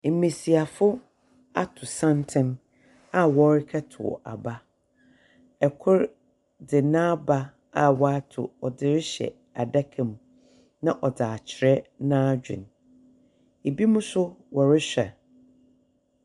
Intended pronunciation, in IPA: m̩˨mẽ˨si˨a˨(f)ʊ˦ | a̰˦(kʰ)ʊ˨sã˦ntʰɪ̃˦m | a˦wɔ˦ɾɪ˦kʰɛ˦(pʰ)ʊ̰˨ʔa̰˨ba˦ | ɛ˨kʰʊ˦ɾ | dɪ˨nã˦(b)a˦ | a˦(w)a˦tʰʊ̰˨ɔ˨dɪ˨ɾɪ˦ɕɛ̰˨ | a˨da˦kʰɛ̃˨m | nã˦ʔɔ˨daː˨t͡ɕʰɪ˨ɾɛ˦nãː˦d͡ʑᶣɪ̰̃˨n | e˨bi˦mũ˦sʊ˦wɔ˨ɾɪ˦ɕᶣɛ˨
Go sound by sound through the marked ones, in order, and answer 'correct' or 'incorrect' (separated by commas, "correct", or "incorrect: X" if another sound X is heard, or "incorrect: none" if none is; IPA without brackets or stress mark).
correct, incorrect: tʰ, incorrect: tʰ, correct, correct